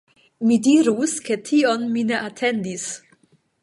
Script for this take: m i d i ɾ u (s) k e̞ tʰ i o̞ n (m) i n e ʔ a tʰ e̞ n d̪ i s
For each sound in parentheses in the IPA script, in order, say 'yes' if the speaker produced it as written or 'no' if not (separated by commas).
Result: yes, yes